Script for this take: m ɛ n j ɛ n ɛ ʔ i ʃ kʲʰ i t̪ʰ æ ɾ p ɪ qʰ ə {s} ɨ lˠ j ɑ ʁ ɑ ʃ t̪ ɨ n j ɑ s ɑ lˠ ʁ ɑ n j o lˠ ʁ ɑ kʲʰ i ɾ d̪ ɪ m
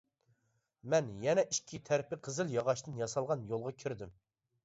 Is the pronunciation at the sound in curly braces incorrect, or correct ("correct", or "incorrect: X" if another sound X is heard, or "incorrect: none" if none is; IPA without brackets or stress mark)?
incorrect: z